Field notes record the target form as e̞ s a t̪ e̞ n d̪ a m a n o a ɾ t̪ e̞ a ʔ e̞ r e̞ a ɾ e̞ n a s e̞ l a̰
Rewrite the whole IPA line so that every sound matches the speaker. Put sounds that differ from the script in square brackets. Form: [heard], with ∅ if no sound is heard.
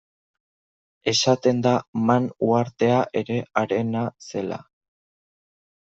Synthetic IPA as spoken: e̞ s a t̪ e̞ n d̪ a m a n [u] a ɾ t̪ e̞ a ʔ e̞ [ɾ] e̞ a ɾ e̞ n a s e̞ l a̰